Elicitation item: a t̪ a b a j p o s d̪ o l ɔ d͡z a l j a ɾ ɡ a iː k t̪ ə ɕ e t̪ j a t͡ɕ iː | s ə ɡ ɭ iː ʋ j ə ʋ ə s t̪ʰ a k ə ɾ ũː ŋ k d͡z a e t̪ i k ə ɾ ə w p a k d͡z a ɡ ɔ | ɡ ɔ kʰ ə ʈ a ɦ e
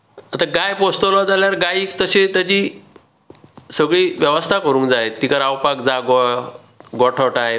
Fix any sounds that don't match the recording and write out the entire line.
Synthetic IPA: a t̪ a ɡ a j p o s t̪ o l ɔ d͡z a l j a ɾ ɡ a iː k t̪ ə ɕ e t̪ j a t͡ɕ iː | s ə ɡ ɭ iː ʋ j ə ʋ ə s t̪ʰ a k ə ɾ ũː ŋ k d͡z a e t̪ i k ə ɾ a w p a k d͡z a ɡ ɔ | ɡ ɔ ʈʰ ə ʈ a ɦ e